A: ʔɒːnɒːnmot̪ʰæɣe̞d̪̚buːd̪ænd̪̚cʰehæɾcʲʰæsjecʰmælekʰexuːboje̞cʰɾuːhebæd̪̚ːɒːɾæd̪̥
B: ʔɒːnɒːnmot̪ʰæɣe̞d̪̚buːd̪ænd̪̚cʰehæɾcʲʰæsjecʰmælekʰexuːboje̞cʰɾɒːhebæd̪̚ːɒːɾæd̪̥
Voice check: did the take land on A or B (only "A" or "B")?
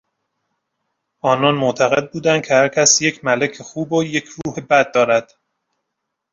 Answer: A